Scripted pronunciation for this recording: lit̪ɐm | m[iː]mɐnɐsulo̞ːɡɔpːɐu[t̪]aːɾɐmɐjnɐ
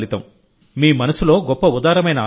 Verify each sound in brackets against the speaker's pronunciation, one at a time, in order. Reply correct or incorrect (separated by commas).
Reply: correct, incorrect